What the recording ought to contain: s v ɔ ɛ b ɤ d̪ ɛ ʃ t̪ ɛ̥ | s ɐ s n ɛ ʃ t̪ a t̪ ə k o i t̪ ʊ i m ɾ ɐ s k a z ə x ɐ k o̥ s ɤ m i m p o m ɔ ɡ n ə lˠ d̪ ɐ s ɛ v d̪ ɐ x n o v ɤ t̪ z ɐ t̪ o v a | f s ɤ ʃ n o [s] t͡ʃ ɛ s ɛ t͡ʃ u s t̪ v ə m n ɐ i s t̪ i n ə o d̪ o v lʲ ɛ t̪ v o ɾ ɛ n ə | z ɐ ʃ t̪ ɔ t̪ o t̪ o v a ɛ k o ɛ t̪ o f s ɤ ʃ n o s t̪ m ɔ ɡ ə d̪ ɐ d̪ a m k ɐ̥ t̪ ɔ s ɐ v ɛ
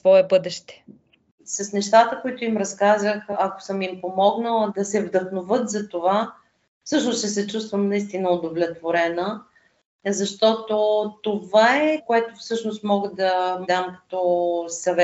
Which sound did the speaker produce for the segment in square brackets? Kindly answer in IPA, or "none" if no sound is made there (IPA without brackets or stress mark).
s